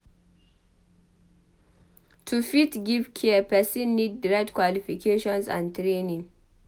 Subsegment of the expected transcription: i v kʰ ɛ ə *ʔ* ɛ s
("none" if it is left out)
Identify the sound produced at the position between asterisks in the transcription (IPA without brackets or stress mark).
p